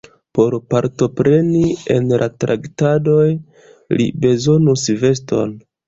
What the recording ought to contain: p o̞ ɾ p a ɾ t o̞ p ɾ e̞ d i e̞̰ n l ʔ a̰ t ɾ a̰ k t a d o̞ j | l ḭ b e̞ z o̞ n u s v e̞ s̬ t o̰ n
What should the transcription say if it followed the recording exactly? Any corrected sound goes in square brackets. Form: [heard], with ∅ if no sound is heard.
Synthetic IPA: p o̞ ɾ p a ɾ t o̞ p ɾ e̞ [n] i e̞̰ n l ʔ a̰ t ɾ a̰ k t a d o̞ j | l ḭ b e̞ z o̞ n u s v e̞ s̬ t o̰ n